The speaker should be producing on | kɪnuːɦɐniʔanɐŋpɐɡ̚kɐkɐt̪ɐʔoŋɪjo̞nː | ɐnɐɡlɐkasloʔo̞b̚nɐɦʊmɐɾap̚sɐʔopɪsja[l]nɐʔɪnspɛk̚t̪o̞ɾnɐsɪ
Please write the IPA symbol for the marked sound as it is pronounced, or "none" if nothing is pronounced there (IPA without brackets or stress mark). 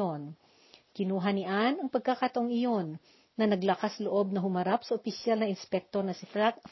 l